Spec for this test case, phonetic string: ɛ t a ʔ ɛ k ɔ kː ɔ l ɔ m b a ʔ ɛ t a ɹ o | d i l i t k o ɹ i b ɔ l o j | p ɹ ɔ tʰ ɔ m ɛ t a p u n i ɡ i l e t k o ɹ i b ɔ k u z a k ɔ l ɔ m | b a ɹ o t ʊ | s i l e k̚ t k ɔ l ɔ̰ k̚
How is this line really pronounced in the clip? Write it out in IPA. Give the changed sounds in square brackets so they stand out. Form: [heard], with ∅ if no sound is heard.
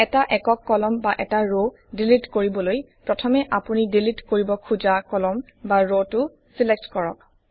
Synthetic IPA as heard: ɛ t a ʔ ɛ k ɔ kː ɔ l ɔ m b a ʔ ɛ t a ɹ o | d i l i t k o ɹ i b ɔ l o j | p ɹ ɔ tʰ ɔ m ɛ [ʔ] a p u n i [d] i l [i] t k o ɹ i b ɔ [kʰ] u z a k ɔ l ɔ m | b a ɹ o t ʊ | s i l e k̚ t k ɔ [ɹ] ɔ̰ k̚